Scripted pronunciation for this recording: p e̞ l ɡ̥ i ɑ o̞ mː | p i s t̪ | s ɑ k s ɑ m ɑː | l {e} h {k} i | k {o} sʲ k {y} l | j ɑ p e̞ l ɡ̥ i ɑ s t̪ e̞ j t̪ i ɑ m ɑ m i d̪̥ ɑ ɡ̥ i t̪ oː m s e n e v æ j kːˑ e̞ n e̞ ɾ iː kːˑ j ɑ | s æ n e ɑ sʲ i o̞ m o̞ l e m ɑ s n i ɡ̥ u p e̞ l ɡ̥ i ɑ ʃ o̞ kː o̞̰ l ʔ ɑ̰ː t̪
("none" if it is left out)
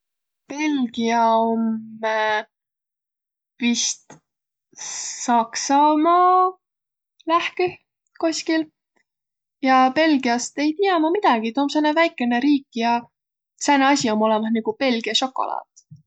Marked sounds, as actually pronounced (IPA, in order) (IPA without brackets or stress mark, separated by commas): æ, k, o, i